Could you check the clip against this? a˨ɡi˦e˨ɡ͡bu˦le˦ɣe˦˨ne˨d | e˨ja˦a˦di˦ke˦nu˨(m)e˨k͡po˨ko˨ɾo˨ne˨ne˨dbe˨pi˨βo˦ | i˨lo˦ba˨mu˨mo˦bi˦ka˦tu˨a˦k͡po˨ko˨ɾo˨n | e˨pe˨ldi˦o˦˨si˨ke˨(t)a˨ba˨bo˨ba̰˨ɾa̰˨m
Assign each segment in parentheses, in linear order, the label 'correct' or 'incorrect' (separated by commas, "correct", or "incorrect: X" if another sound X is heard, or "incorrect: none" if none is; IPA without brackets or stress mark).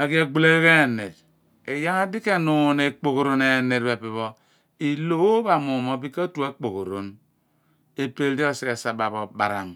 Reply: incorrect: n, incorrect: s